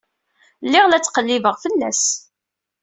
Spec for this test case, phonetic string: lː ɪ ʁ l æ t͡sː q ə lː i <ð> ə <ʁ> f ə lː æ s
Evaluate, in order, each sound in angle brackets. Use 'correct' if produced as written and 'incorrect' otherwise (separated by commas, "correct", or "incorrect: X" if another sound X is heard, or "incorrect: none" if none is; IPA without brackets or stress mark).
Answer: incorrect: v, correct